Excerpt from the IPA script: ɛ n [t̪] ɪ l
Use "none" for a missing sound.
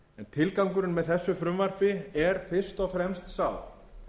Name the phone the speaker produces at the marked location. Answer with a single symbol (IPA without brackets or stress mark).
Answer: t̪ʰ